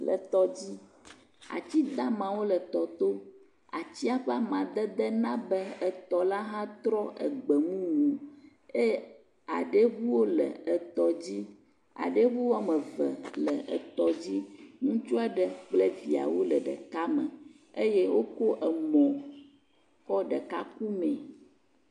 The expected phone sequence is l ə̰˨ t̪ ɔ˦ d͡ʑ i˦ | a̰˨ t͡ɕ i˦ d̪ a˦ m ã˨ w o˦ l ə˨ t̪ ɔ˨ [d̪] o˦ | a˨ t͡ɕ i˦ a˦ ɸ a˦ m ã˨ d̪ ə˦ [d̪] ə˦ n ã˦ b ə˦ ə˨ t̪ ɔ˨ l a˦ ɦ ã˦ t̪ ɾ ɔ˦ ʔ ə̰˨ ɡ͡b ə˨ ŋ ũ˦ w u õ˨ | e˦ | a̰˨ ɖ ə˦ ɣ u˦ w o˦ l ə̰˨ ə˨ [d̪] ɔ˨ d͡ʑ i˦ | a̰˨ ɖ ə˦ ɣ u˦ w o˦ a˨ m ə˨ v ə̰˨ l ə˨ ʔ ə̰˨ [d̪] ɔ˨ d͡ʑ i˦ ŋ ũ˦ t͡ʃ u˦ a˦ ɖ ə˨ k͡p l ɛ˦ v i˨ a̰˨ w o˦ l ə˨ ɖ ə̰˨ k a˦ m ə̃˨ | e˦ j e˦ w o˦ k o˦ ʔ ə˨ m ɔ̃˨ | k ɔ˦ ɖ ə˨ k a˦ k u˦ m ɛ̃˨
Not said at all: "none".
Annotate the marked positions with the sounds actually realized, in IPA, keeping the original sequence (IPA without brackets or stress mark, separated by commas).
t̪, d̪, t̪, t̪